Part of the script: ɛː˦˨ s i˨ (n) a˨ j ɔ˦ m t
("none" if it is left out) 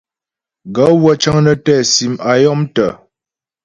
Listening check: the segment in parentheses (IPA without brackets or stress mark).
m